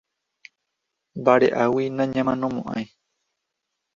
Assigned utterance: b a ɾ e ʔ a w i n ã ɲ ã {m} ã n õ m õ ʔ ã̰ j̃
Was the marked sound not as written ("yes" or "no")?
no